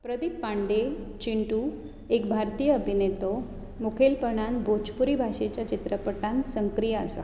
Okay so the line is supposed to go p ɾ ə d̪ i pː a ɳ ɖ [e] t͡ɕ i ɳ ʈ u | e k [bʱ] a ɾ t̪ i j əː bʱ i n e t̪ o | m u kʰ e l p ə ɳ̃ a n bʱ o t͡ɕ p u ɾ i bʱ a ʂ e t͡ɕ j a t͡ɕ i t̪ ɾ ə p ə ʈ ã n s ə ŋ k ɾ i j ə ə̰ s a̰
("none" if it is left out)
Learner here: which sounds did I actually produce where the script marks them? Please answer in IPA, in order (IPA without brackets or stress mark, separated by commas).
e, bʱ